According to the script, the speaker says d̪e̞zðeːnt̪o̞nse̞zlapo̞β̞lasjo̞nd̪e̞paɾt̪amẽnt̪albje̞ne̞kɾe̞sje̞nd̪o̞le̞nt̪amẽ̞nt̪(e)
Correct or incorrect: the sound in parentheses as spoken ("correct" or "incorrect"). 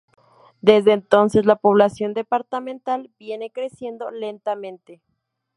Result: correct